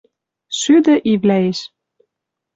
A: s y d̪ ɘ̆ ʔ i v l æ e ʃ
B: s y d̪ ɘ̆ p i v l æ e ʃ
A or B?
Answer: A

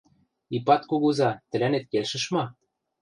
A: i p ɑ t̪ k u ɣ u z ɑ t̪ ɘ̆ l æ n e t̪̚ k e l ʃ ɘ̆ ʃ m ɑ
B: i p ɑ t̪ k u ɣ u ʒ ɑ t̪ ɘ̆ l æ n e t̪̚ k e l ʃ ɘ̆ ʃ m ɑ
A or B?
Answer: A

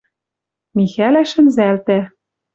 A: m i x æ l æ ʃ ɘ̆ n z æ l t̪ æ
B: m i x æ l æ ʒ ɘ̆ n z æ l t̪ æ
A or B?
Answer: A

